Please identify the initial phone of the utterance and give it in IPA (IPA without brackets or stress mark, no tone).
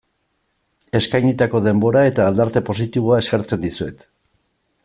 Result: e̞